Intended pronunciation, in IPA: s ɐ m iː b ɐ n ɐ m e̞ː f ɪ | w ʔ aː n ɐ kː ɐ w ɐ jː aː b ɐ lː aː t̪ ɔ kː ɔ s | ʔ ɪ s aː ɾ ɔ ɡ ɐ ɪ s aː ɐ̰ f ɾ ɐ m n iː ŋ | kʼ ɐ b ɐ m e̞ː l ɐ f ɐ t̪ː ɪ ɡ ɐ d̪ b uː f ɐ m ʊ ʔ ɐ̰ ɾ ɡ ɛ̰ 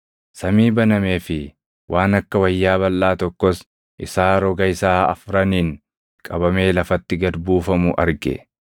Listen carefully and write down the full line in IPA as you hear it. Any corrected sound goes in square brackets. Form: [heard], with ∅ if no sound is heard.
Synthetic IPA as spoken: s ɐ m iː b ɐ n ɐ m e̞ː f ɪ | w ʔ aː n ɐ kː ɐ w ɐ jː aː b ɐ lː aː t̪ ɔ kː ɔ s | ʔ ɪ s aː ɾ ɔ ɡ ɐ ɪ s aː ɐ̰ f ɾ ɐ [∅] n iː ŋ | kʼ ɐ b ɐ m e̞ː l ɐ f ɐ t̪ː ɪ ɡ ɐ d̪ b uː f ɐ m ʊ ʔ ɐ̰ ɾ ɡ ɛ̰

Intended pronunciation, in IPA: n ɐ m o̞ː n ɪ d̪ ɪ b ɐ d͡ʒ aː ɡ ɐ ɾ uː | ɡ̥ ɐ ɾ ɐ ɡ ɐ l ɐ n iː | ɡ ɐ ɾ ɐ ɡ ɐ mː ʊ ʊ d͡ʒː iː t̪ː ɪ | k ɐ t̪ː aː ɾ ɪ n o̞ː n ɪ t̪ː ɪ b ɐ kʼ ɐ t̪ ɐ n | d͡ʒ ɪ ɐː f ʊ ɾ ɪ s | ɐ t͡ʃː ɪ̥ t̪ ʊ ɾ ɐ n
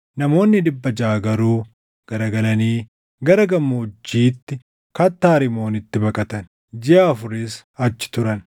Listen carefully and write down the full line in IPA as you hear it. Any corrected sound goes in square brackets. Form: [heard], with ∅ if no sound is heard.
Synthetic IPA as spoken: n ɐ m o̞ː [nː] ɪ d̪ ɪ [bː] ɐ d͡ʒ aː ɡ ɐ ɾ uː | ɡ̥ ɐ ɾ ɐ ɡ ɐ l ɐ n iː | ɡ ɐ ɾ ɐ ɡ ɐ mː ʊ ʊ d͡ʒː iː t̪ː ɪ | k ɐ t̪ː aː ɾ ɪ [m] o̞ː n ɪ t̪ː ɪ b ɐ kʼ ɐ t̪ ɐ n | d͡ʒ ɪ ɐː f ʊ ɾ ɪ s | ɐ t͡ʃː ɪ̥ t̪ ʊ ɾ ɐ n

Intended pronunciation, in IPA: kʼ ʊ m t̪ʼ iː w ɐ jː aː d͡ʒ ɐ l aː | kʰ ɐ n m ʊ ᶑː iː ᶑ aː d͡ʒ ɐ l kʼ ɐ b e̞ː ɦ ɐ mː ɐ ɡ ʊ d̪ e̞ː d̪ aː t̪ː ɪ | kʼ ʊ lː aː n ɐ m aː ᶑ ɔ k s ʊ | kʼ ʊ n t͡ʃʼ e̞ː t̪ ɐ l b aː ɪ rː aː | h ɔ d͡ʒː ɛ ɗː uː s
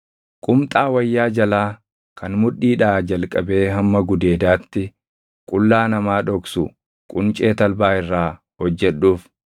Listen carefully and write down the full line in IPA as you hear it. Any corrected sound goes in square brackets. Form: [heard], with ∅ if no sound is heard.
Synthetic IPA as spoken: kʼ ʊ m t̪ʼ [aː] w ɐ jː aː d͡ʒ ɐ l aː | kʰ ɐ n m ʊ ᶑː iː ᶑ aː d͡ʒ ɐ l kʼ ɐ b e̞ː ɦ ɐ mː ɐ ɡ ʊ d̪ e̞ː d̪ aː t̪ː ɪ | kʼ ʊ lː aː n ɐ m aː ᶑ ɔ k s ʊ | kʼ ʊ n t͡ʃʼ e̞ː t̪ ɐ l b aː ɪ rː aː | h ɔ d͡ʒː ɛ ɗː uː [f]

